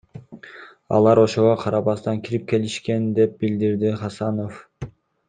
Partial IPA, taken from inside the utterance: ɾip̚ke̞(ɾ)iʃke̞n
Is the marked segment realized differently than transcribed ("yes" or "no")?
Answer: yes